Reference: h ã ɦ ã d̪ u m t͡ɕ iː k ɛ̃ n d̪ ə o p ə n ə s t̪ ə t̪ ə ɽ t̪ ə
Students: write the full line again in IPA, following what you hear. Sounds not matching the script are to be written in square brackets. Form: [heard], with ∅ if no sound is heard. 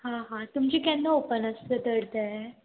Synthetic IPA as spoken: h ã ɦ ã [t̪] u m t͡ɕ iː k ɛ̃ n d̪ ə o p ə n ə s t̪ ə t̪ ə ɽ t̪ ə